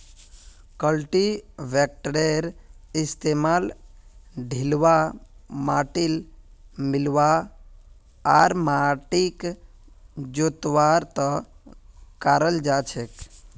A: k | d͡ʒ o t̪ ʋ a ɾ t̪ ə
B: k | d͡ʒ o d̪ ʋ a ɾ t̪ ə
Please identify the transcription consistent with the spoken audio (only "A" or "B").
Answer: A